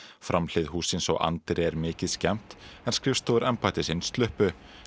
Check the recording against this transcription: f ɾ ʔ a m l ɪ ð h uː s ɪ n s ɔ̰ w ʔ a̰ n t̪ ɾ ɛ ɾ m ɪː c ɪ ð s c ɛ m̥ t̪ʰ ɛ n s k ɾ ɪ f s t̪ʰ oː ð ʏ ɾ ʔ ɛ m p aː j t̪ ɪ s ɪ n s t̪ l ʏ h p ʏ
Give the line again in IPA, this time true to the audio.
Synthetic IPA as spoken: f ɾ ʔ a m l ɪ ð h uː s ɪ n s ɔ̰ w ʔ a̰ n t̪ ɾ ɛ ɾ m ɪː c ɪ ð s c ɛ m̥ t̪ ɛ n s k ɾ ɪ f s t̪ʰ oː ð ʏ ɾ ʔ ɛ m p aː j t̪ ɪ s ɪ n s t̪ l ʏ h p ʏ